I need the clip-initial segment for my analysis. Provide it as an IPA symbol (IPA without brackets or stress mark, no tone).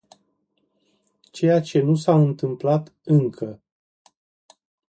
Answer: t͡ʃ